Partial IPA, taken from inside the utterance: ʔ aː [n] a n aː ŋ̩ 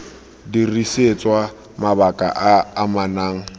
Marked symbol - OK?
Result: no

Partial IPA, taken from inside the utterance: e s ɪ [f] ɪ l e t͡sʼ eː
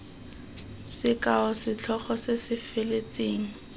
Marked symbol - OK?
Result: yes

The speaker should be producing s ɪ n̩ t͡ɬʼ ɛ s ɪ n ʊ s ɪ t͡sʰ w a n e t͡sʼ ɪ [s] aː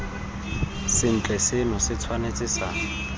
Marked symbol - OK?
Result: yes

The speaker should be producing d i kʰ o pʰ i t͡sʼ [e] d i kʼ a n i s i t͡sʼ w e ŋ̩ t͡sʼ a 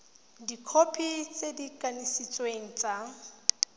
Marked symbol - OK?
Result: yes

